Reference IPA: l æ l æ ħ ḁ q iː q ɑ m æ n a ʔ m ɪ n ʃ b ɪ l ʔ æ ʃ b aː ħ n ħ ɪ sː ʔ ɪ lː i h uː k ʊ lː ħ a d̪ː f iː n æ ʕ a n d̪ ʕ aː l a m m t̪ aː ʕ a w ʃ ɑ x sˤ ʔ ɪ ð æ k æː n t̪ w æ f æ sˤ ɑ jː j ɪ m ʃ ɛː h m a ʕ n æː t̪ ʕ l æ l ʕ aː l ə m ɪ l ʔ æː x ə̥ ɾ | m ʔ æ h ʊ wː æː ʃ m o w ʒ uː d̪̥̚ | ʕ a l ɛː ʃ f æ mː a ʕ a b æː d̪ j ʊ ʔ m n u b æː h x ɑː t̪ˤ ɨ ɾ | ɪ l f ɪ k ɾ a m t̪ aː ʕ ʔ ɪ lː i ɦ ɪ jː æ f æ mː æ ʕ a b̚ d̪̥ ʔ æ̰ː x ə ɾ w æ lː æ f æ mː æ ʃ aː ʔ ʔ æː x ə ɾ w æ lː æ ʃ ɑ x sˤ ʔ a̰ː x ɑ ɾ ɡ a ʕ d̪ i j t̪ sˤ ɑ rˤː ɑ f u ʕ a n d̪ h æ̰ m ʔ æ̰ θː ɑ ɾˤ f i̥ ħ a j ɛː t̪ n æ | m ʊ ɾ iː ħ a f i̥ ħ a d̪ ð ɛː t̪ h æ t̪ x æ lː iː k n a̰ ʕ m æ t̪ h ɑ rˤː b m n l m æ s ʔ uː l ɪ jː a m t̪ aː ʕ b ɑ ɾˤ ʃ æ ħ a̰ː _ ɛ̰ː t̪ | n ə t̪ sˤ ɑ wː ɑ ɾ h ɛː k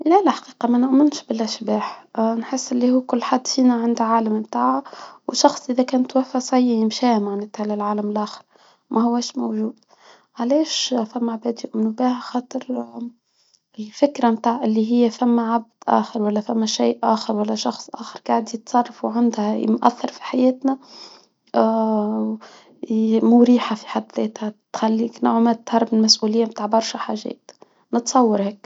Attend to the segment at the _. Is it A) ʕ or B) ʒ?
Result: B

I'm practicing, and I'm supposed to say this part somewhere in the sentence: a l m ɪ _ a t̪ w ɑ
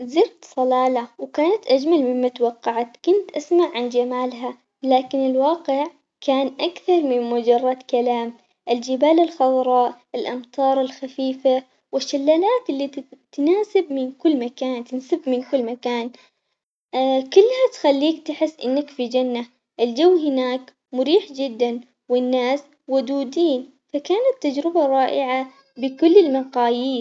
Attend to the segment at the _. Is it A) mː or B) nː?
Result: A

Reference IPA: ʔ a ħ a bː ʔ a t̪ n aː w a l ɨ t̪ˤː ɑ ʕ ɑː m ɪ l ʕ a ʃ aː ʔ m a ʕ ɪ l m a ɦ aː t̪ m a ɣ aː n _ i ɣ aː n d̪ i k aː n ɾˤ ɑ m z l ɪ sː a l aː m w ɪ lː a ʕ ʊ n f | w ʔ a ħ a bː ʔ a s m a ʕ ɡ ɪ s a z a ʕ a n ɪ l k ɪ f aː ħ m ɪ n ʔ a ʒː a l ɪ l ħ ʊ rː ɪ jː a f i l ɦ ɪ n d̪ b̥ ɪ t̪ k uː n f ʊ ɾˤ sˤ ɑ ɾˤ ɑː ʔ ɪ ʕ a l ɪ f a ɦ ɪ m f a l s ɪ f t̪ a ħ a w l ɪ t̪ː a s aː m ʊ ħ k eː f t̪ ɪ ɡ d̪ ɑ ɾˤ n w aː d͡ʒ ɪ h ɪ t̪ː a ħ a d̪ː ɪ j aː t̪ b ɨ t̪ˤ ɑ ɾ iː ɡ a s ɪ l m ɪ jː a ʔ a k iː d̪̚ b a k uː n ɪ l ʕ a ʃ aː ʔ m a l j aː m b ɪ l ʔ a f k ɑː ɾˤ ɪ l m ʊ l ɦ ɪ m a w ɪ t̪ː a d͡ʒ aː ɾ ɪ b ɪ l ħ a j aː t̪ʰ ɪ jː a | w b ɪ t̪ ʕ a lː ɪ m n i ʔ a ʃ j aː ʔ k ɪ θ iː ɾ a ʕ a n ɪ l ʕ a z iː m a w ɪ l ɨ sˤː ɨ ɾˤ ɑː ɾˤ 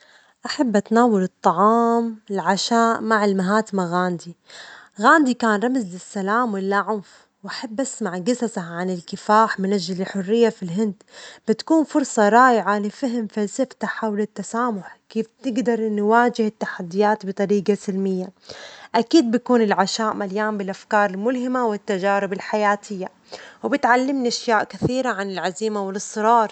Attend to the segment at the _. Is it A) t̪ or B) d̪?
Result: B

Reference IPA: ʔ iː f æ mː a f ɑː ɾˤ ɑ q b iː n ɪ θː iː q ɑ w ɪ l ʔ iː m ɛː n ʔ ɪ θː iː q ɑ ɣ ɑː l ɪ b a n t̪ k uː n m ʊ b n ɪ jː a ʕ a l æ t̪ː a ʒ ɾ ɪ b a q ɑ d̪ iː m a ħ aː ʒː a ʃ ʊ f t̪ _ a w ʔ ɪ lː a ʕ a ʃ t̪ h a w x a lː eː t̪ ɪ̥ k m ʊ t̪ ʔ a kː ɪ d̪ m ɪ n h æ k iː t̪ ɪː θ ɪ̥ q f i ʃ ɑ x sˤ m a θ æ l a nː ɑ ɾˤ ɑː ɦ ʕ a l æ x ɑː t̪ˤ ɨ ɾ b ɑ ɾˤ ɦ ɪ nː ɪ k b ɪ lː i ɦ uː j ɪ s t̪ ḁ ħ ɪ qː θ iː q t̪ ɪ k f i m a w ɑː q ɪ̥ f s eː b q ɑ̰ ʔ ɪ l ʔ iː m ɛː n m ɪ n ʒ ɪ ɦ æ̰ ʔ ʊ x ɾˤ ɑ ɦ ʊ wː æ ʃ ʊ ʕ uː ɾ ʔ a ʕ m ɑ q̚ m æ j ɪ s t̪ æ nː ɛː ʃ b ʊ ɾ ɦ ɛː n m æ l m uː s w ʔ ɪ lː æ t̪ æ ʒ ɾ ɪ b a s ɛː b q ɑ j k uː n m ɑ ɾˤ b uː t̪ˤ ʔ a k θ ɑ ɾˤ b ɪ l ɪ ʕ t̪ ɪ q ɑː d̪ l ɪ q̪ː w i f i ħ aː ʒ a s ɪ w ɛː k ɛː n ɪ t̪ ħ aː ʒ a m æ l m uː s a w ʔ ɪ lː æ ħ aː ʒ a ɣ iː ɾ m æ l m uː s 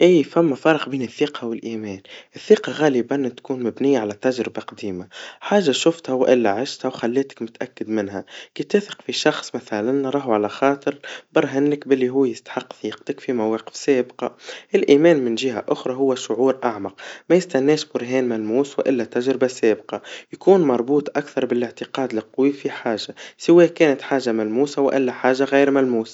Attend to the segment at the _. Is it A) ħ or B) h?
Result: B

